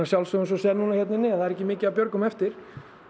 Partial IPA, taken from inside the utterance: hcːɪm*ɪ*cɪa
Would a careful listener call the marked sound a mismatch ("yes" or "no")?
yes